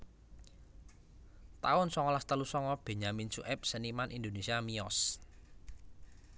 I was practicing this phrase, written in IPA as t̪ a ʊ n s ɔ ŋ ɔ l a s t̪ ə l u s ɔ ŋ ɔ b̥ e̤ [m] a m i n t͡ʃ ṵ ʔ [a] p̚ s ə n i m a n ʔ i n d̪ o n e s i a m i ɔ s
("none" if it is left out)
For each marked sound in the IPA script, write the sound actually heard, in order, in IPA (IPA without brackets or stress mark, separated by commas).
ɲ, ɛ